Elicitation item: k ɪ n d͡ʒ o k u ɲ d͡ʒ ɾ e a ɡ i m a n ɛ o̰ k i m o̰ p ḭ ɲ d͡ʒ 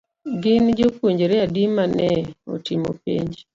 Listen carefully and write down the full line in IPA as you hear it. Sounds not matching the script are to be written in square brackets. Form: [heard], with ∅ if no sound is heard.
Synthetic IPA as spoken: [ɡ] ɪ n d͡ʒ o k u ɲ d͡ʒ ɾ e a [d] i m a n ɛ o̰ [t] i m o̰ p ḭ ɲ d͡ʒ